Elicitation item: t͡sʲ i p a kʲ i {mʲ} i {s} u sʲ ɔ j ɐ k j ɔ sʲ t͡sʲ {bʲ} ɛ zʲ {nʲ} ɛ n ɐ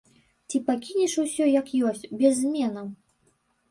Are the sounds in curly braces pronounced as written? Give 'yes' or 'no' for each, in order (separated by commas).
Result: no, no, yes, no